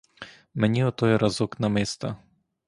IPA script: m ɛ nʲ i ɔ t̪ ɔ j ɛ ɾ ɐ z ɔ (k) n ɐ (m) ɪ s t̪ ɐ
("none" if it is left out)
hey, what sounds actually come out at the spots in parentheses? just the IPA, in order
k, m

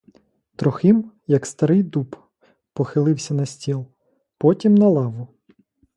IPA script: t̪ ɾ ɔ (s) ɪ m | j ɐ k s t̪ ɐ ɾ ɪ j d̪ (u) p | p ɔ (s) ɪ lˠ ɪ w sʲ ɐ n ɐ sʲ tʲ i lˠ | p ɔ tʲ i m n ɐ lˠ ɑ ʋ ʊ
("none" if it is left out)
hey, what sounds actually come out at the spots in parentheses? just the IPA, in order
x, u, x

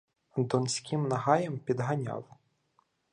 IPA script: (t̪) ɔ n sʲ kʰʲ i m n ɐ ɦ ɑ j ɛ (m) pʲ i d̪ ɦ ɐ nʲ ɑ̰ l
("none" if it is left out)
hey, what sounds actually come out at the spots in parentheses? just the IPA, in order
d̪, m

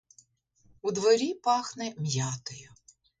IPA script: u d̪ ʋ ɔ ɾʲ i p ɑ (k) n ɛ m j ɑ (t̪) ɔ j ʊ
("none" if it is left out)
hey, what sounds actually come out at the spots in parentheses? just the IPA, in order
x, t̪

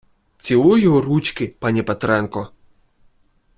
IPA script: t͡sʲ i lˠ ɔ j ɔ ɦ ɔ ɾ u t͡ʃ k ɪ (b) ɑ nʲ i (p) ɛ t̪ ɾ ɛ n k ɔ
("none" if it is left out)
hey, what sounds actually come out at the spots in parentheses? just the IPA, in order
p, p

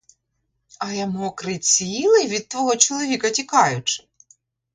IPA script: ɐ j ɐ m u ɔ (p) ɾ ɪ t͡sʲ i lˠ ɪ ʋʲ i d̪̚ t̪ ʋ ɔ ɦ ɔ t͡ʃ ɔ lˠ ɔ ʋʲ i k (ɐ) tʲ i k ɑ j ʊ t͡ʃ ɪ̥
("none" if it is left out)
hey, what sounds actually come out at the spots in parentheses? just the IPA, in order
k, ɐ

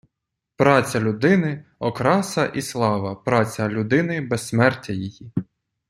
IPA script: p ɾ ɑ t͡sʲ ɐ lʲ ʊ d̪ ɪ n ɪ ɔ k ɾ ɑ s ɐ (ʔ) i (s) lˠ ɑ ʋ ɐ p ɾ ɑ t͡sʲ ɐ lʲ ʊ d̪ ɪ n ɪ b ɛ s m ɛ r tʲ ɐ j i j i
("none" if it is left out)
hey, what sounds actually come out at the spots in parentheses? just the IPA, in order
ʔ, s

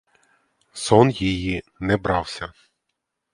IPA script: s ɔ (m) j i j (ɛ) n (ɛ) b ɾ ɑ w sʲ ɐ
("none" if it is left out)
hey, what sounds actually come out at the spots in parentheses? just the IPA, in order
n, i, ɛ

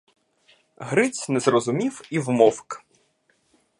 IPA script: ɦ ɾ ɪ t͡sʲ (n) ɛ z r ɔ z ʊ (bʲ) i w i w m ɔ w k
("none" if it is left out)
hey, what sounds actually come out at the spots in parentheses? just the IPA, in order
n, mʲ

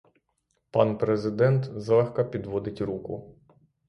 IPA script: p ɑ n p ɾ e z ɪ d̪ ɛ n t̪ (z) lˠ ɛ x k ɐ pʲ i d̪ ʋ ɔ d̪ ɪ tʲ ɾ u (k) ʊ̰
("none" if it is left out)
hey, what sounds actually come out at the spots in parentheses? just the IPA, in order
z, k

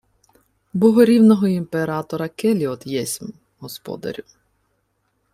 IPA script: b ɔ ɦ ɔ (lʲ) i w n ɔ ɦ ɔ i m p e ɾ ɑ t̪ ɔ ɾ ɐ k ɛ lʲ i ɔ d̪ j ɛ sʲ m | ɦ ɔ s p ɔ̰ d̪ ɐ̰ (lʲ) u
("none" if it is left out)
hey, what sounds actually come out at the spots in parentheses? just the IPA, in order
ɾʲ, ɾʲ

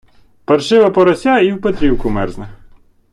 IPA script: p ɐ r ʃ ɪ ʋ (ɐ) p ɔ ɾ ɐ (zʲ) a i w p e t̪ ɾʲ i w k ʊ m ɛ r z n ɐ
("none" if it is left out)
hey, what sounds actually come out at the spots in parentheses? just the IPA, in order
ɐ, sʲ

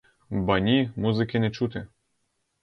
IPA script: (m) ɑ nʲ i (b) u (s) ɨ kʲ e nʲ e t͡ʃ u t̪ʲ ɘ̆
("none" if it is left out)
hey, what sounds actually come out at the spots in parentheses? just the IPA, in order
b, m, z

